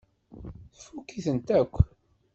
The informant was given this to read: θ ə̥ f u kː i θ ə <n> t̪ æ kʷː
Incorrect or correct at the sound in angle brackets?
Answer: correct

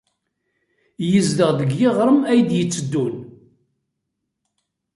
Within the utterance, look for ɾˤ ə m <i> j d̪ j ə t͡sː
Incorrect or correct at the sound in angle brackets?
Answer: incorrect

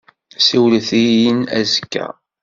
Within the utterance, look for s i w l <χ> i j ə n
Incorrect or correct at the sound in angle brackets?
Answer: incorrect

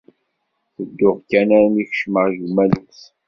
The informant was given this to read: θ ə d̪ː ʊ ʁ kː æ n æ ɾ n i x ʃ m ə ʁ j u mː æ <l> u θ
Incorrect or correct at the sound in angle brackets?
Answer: correct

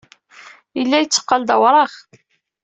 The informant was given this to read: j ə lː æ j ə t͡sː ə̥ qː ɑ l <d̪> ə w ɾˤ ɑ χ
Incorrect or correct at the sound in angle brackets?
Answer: correct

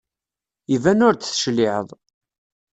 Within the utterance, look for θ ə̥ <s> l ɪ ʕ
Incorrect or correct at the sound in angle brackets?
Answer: incorrect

